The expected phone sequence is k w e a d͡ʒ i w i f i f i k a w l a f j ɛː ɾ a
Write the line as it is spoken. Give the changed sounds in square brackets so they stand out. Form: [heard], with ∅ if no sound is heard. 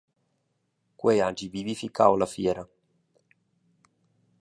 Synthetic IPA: k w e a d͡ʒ i [v] i [v] i f i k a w l a f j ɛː ɾ a